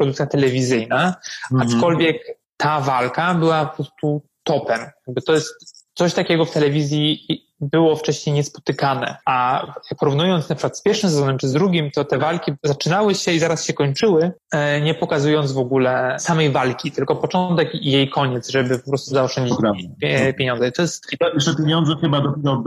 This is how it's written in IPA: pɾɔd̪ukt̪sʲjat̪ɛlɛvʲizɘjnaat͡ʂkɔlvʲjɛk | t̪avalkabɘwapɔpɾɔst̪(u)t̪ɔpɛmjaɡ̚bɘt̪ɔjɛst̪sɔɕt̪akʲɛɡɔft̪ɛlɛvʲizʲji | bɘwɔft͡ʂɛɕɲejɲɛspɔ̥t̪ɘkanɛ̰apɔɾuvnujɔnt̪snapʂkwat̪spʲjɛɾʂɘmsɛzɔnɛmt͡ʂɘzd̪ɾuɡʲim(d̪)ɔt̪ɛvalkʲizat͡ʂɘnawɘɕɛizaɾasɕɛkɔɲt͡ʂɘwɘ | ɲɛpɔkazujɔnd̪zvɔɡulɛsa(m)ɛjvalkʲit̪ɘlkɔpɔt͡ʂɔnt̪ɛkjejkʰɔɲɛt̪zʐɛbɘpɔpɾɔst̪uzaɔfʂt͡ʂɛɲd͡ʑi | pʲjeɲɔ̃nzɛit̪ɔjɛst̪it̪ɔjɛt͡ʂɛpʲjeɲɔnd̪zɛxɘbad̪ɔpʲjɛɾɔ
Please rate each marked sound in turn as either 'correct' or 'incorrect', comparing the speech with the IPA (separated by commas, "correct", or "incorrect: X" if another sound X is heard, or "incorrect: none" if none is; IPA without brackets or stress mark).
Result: correct, incorrect: t̪, correct